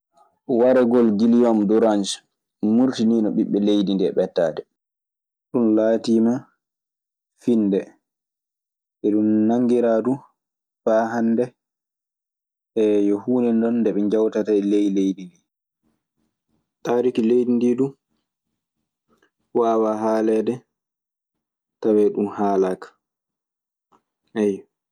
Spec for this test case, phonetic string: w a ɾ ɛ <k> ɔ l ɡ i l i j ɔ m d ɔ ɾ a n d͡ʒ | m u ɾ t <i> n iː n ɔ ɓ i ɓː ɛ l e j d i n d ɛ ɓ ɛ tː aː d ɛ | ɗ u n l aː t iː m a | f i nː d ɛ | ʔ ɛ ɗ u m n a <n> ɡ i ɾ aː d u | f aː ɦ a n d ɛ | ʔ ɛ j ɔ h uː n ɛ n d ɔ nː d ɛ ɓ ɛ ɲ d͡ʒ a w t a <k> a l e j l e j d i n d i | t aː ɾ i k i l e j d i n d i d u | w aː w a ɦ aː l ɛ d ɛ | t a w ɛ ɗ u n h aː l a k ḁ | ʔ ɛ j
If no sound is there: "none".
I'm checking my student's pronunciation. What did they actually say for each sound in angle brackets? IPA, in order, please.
ɡ, i, ŋ, t

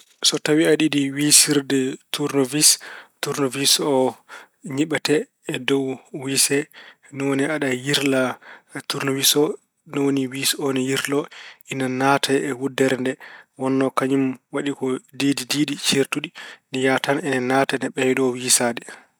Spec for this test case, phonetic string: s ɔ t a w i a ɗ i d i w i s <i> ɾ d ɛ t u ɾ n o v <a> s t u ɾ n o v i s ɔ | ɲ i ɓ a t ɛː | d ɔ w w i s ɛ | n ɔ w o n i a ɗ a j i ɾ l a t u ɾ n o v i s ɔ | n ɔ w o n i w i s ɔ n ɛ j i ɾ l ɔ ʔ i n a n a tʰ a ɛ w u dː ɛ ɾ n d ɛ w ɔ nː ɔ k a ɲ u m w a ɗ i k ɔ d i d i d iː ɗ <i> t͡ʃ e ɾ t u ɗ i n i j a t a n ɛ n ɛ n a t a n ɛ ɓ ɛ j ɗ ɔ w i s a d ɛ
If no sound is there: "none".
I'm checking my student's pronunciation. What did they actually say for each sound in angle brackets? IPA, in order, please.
i, i, i

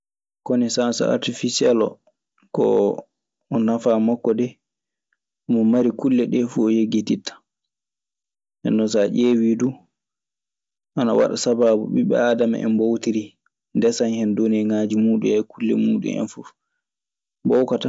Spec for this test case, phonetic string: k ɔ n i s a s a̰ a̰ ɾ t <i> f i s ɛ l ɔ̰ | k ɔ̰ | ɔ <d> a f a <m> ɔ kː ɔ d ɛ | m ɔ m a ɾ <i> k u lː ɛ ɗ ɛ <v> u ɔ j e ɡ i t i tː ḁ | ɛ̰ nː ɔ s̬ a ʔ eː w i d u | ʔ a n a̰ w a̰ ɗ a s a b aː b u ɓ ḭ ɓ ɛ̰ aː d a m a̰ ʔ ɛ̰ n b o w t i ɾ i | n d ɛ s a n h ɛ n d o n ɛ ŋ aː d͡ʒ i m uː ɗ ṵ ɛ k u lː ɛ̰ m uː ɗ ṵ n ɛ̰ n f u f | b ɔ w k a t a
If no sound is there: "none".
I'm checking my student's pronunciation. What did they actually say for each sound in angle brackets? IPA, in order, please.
i, n, m, i, f

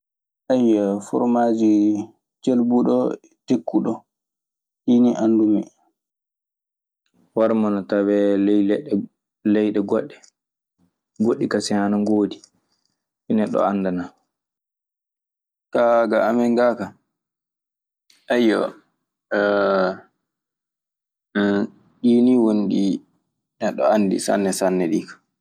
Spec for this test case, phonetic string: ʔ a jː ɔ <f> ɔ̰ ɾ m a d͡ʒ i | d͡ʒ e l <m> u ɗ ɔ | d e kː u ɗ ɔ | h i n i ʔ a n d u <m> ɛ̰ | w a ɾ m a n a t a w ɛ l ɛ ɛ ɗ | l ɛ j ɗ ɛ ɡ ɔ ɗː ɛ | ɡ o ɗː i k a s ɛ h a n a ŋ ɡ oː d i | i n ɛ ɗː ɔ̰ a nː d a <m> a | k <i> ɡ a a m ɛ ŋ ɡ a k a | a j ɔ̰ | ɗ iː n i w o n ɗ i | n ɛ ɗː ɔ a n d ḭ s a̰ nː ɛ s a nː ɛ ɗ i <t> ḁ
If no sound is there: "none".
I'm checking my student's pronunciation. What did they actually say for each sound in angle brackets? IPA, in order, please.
f, b, m, n, a, k

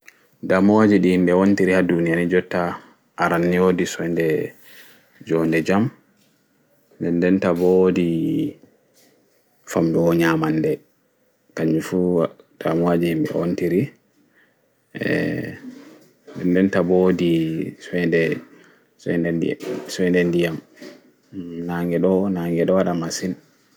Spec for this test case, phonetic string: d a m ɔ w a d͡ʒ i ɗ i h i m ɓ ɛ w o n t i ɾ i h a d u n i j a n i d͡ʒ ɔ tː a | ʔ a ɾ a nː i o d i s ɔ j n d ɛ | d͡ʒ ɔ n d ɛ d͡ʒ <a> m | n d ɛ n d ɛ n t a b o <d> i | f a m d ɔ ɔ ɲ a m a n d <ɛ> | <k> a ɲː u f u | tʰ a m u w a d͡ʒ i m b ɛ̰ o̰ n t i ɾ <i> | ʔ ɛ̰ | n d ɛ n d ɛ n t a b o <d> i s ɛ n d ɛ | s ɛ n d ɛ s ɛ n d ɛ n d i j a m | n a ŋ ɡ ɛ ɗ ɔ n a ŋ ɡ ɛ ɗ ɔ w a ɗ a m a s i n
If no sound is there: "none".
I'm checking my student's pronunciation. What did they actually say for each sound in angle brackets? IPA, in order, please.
a, d, ɛ, k, i, d

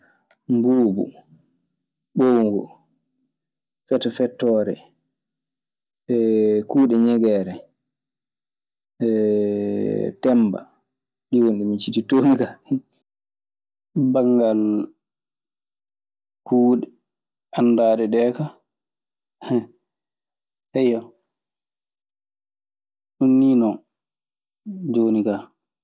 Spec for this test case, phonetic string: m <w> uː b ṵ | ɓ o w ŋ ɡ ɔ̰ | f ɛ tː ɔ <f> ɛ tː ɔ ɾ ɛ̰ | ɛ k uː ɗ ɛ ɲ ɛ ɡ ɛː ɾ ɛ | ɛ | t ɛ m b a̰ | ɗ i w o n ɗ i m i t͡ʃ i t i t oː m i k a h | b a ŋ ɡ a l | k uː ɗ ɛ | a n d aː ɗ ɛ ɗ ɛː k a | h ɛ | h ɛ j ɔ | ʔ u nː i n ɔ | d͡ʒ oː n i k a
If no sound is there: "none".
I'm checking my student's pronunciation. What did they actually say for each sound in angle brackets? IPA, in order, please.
b, f

